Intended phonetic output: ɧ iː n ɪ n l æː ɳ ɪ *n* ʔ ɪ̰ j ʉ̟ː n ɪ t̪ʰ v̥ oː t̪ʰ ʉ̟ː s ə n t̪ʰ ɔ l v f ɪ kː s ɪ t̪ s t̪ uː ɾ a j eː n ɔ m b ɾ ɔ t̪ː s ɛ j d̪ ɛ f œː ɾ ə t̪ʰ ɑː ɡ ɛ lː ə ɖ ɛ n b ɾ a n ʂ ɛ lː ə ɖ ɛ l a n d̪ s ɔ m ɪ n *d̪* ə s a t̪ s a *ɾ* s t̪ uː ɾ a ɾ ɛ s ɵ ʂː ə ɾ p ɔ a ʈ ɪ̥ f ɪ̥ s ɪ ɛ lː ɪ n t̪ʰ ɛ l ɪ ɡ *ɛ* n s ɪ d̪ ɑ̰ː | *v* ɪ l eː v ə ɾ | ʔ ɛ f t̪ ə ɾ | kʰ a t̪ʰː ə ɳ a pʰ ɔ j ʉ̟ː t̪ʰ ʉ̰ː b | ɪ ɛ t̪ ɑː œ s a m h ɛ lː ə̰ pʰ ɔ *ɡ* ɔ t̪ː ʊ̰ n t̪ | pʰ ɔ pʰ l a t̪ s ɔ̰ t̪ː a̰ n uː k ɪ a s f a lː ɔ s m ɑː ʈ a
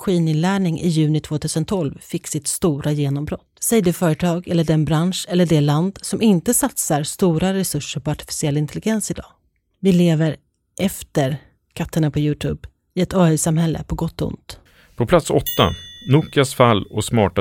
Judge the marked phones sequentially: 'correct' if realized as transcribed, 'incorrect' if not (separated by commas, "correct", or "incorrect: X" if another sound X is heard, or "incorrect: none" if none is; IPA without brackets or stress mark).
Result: incorrect: ŋ, incorrect: t̪, correct, correct, correct, correct